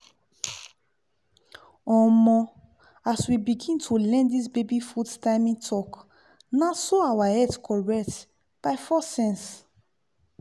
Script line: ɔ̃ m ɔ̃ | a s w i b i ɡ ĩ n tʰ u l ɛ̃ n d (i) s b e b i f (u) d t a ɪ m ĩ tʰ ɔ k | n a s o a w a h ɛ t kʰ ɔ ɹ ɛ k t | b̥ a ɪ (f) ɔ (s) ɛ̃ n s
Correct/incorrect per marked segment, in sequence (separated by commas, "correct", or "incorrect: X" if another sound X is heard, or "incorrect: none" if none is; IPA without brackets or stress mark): correct, correct, correct, correct